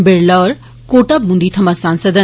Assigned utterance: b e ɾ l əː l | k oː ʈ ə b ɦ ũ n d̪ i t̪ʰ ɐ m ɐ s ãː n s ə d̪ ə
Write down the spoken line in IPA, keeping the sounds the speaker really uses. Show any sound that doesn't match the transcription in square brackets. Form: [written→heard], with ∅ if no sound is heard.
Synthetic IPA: b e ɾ l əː [l→ɾ] | k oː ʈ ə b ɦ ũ n d̪ i t̪ʰ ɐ m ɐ s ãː n s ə d̪ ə